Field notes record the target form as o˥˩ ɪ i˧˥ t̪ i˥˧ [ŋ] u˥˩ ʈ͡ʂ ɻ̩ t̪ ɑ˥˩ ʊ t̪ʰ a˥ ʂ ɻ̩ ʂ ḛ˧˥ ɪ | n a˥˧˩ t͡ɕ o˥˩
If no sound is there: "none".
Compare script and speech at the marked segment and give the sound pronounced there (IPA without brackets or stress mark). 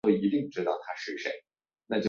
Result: ŋ